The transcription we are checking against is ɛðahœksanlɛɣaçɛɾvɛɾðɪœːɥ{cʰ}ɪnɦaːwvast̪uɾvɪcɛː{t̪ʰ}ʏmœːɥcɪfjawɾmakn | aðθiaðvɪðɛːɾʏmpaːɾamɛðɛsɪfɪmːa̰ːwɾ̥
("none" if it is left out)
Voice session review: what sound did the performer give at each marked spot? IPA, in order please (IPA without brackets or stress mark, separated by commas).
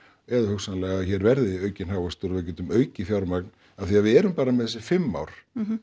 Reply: c, t̪